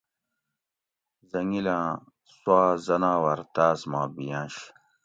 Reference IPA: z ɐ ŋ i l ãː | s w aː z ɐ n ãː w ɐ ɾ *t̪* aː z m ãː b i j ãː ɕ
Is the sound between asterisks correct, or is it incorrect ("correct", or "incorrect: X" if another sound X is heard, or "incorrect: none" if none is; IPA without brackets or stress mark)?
correct